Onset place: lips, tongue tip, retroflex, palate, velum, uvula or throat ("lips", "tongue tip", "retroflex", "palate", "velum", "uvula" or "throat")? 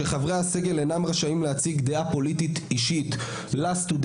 uvula